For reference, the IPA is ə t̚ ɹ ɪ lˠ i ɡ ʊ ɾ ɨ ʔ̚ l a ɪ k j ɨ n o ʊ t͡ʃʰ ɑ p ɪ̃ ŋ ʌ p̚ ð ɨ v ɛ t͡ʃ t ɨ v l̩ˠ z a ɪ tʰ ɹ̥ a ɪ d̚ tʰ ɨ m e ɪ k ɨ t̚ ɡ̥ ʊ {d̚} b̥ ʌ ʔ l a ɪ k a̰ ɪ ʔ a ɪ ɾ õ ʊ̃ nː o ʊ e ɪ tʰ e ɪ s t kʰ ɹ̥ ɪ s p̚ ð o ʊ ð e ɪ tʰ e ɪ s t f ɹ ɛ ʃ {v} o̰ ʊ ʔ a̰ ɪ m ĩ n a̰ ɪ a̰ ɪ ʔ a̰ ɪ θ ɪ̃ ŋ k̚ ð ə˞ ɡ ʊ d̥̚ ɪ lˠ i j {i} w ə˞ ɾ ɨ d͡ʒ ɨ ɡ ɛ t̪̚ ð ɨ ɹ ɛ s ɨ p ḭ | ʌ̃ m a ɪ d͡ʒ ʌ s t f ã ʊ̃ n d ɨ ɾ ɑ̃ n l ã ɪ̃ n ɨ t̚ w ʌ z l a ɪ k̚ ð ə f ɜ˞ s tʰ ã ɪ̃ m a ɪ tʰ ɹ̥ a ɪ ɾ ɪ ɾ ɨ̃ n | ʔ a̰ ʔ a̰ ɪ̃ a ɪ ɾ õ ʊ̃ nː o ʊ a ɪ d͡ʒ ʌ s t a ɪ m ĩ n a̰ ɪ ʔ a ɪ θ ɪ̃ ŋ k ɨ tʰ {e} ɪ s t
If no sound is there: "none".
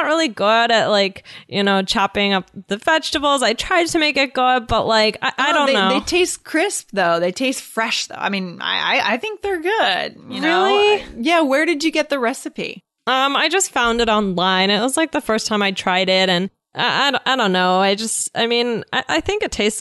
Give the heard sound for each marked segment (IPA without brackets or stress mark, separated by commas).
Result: d̚, ð, æ, e